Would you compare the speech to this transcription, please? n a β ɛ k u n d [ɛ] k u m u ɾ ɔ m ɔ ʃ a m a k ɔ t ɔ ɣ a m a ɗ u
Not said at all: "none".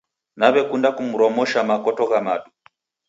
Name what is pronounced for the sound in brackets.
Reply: a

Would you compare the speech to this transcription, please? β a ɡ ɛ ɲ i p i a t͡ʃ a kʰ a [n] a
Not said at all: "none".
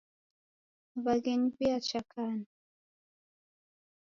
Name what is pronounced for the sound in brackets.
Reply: n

